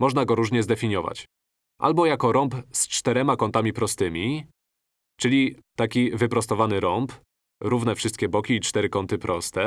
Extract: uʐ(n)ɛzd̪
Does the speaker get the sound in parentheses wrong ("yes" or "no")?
yes